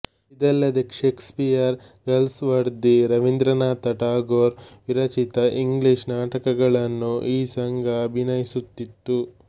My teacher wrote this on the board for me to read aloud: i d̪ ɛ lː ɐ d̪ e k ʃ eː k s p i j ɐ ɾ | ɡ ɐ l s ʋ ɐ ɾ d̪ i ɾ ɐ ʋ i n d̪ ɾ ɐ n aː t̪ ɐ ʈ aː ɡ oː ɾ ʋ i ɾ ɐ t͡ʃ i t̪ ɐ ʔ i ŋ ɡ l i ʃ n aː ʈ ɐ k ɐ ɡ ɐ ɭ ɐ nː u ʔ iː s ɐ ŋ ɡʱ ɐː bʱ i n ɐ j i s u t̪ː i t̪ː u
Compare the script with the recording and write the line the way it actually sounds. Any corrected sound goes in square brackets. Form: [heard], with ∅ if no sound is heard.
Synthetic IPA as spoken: i d̪ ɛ lː ɐ d̪ e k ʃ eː k s p i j ɐ ɾ | ɡ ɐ l s ʋ ɐ ɾ d̪ i ɾ ɐ ʋ i n d̪ ɾ ɐ n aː t̪ ɐ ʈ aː ɡ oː ɾ ʋ i ɾ ɐ t͡ʃ i t̪ ɐ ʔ i ŋ ɡ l i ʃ n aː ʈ ɐ k ɐ ɡ ɐ ɭ ɐ nː u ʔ iː s ɐ ŋ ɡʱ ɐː bʱ i n ɐ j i s u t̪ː i t̪ː u